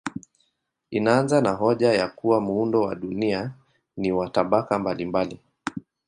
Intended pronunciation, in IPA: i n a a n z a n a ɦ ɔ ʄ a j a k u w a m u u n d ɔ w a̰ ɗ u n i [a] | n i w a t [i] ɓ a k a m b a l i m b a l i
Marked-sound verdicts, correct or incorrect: correct, incorrect

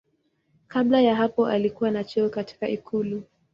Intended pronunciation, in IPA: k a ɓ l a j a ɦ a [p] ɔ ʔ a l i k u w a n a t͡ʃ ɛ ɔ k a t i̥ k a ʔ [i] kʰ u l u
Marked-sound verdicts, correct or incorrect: correct, correct

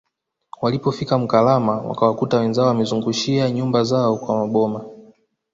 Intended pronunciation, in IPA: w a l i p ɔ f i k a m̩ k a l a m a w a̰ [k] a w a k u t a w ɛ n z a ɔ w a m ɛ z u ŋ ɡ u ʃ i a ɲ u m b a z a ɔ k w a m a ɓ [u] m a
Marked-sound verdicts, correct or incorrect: correct, incorrect

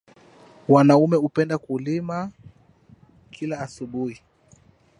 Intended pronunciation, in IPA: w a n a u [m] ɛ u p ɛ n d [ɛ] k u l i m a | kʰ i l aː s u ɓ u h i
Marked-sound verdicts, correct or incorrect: correct, incorrect

